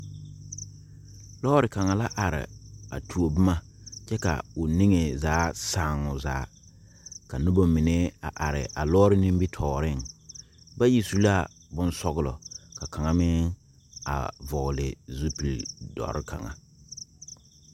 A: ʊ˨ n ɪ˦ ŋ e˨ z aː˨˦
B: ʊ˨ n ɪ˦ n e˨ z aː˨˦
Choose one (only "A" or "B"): A